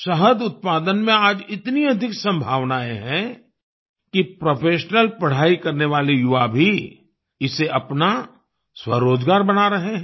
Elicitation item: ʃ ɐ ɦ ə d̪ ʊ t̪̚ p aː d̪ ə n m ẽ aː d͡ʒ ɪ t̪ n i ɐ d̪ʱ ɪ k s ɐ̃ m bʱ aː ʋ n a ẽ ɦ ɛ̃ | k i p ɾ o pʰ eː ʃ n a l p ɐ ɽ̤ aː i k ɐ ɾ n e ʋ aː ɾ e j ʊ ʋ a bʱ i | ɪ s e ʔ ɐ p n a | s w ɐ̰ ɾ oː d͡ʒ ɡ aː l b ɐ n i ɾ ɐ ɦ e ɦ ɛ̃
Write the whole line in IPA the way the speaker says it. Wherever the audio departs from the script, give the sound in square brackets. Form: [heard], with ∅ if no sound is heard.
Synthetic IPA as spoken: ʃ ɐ ɦ ə d̪ ʊ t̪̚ p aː d̪ ə n m ẽ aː d͡ʒ ɪ t̪ n i ɐ d̪ʱ ɪ k s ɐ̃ m bʱ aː ʋ n a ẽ ɦ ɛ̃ | k i p ɾ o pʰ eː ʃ n [ə] l p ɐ ɽ̤ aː i k ɐ ɾ n e ʋ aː [l] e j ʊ ʋ a bʱ i | ɪ s e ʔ ɐ p n a | s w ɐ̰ ɾ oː d͡ʒ ɡ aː [ɾ] b ɐ n [a] ɾ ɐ ɦ e ɦ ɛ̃